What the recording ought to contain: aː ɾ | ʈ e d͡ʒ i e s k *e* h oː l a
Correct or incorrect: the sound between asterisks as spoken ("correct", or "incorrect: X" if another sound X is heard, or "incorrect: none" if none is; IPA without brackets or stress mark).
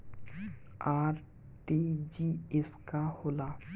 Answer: incorrect: a